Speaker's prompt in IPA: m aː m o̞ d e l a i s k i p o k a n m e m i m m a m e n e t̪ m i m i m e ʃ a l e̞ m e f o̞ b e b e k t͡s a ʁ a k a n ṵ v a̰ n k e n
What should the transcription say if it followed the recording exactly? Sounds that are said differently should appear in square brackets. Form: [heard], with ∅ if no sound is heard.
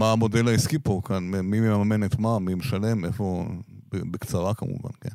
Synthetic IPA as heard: m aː m o̞ d e l a i s k i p o k a n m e m i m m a m e n e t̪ m [a] m i m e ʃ a l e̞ m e f o̞ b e b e k t͡s a ʁ a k a [m] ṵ v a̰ n k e n